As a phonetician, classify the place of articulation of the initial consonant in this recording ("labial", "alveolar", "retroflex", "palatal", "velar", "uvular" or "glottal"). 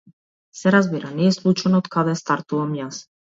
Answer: alveolar